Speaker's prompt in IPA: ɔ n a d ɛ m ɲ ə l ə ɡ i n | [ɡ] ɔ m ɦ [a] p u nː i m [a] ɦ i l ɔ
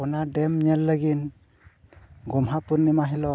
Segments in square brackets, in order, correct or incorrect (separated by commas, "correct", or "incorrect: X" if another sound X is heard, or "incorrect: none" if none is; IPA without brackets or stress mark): correct, correct, correct